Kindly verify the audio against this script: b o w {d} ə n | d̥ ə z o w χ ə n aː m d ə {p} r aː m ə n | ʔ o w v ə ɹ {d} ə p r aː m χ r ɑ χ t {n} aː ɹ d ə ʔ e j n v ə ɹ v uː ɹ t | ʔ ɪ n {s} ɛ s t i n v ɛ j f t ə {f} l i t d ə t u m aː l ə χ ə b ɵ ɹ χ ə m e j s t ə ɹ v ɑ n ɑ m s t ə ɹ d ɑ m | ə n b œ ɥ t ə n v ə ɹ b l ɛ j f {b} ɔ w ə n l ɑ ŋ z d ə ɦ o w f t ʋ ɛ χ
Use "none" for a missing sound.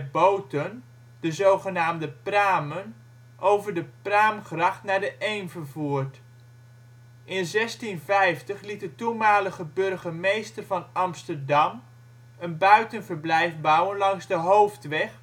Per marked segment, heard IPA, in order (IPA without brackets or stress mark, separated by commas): t, p, d, n, z, χ, b